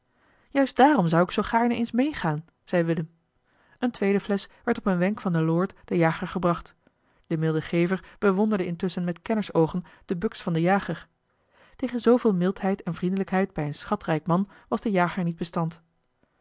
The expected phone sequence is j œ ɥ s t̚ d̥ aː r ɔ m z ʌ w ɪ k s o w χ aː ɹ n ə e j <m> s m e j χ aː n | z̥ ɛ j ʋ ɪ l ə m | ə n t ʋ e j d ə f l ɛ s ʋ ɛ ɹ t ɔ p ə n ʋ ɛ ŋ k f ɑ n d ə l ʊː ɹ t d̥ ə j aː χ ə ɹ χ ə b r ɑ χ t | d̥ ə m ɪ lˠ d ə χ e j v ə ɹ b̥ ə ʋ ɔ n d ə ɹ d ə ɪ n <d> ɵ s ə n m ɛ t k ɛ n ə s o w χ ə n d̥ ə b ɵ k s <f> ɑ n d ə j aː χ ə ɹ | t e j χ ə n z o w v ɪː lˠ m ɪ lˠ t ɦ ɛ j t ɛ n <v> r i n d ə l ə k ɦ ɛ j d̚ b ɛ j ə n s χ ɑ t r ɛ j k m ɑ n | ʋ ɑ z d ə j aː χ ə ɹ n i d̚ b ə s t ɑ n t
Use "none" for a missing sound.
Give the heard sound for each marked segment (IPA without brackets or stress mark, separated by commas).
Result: n, t, f, v